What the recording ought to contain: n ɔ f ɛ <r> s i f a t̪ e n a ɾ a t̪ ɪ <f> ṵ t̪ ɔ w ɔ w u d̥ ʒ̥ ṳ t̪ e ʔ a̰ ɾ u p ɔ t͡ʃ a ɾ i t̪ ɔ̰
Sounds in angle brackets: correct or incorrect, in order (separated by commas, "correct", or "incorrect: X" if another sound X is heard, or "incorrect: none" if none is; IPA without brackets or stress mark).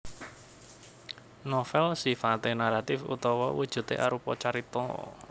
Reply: incorrect: l, correct